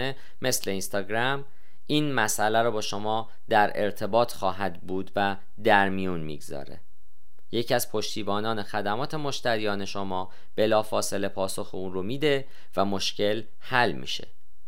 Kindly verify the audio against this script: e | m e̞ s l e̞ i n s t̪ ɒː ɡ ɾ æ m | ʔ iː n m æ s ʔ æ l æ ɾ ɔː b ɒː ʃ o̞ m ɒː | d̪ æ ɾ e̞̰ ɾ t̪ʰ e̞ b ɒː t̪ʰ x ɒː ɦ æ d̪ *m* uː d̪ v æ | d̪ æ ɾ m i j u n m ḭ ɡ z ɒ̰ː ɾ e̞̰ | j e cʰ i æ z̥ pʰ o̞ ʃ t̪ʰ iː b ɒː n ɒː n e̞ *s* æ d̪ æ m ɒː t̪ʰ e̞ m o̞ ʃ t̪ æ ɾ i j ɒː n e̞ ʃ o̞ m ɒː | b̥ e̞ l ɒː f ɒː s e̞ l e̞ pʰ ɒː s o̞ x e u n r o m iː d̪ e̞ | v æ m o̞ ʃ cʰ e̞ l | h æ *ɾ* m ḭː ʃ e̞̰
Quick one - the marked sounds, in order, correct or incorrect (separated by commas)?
incorrect, incorrect, incorrect